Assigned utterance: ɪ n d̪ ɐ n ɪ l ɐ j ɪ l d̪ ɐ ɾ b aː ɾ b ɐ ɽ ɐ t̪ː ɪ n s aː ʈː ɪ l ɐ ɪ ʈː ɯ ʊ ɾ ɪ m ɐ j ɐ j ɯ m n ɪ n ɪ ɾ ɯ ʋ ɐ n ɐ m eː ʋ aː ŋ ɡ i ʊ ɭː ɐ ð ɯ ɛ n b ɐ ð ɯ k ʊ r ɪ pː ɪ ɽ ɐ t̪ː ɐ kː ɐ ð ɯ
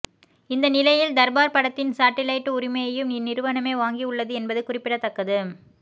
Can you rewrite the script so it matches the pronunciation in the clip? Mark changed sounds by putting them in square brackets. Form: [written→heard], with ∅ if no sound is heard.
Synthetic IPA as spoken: ɪ n d̪ ɐ n ɪ l ɐ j ɪ l d̪ ɐ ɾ b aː ɾ [b→p] ɐ ɽ ɐ t̪ː ɪ n s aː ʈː ɪ l ɐ ɪ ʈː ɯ ʊ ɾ ɪ m ɐ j ɐ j ɯ m n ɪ n ɪ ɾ ɯ ʋ ɐ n ɐ m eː ʋ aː ŋ ɡ i ʊ ɭː ɐ ð ɯ ɛ n b ɐ ð ɯ k ʊ r ɪ pː ɪ ɽ ɐ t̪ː ɐ kː ɐ ð ɯ

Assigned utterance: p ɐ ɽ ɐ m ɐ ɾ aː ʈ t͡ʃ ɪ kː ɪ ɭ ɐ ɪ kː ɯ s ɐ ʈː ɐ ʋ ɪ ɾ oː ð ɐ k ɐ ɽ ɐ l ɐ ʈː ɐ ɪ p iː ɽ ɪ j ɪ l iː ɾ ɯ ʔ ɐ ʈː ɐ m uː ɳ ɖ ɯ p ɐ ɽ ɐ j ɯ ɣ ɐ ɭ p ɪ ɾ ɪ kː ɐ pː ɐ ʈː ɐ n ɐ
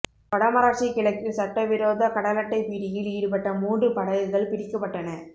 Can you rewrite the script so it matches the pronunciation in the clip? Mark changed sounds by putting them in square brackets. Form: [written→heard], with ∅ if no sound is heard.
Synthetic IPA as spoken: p ɐ ɽ ɐ m ɐ ɾ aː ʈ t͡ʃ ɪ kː ɪ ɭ ɐ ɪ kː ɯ s ɐ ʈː ɐ ʋ ɪ ɾ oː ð ɐ k ɐ ɽ ɐ l ɐ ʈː ɐ ɪ p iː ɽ ɪ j ɪ l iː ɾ ɯ [ʔ→p] ɐ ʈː ɐ m uː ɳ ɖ ɯ p ɐ ɽ ɐ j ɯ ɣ ɐ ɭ p ɪ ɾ ɪ kː ɐ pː ɐ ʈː ɐ n ɐ

